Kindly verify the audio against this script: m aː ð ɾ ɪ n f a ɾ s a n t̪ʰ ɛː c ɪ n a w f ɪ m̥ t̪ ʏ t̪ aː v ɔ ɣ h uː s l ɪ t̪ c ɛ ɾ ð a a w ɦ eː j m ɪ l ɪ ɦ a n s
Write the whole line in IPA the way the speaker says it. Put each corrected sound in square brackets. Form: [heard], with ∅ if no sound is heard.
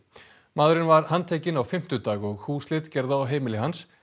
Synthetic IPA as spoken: m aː ð ɾ ɪ n [v] a ɾ [h] a n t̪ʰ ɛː c ɪ n a w f ɪ m̥ t̪ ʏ t̪ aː [ɣ] ɔ ɣ h uː s l ɪ t̪ c ɛ ɾ ð a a w ɦ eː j m ɪ l ɪ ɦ a n s